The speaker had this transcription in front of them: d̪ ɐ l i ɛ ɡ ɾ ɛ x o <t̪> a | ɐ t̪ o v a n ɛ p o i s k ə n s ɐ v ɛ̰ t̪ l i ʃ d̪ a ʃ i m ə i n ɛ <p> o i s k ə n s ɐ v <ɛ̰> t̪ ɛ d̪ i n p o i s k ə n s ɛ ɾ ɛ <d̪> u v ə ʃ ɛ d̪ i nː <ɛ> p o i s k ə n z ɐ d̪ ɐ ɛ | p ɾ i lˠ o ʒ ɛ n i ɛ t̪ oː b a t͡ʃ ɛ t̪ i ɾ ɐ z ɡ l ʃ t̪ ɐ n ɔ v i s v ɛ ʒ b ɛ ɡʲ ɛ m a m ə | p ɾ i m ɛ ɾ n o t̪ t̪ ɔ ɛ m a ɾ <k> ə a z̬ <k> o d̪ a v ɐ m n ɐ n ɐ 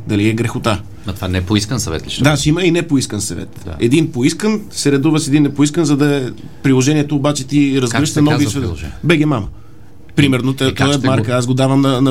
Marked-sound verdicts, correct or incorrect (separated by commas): correct, correct, correct, correct, correct, correct, incorrect